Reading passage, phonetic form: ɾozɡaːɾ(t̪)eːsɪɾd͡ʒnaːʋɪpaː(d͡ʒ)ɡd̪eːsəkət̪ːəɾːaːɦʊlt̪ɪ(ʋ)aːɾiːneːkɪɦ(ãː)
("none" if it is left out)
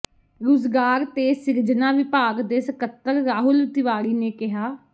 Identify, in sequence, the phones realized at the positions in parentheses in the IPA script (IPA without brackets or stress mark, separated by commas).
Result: t̪, none, ʋ, aː